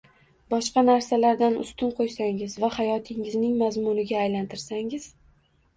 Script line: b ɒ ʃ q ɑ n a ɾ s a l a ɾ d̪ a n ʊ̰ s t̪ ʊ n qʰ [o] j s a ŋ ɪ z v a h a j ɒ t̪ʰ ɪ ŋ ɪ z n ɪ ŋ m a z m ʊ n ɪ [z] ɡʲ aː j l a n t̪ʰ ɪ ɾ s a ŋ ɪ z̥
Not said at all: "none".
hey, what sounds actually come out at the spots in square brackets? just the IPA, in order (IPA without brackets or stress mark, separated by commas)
o, none